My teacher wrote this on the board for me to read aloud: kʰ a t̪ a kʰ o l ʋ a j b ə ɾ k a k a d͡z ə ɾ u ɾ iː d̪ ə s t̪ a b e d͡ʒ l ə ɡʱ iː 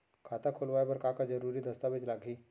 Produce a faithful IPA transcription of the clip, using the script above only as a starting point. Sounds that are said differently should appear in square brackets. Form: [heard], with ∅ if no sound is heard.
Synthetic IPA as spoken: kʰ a t̪ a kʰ o l ʋ a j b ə ɾ k a k a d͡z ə ɾ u ɾ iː d̪ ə s t̪ a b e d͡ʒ l [a] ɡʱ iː